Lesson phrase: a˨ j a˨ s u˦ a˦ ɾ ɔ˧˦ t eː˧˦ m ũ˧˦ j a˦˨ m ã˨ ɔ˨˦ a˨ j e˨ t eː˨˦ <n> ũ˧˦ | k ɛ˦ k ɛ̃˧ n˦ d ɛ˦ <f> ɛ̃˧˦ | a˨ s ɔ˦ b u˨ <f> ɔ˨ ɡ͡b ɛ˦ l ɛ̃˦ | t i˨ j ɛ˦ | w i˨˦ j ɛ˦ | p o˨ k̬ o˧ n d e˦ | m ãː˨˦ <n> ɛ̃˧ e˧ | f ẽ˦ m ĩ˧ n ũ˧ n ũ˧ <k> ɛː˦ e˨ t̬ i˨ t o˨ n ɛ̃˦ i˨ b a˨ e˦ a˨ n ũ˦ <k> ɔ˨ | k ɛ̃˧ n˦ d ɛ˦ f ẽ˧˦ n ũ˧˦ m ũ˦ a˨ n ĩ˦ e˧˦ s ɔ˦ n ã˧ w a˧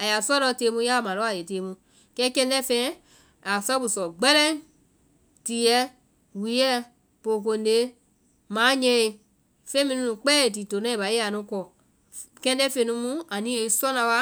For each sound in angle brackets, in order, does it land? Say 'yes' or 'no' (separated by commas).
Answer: no, yes, no, no, no, yes